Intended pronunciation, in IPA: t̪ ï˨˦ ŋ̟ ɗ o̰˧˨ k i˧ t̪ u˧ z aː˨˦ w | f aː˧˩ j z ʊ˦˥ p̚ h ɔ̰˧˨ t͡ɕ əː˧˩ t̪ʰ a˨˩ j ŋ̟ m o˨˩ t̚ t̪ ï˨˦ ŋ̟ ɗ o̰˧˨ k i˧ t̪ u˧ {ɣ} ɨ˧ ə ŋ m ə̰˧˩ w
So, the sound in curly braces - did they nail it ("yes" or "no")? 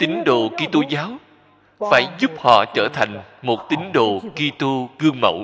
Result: yes